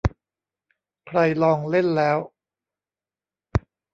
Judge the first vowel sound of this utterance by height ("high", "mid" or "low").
low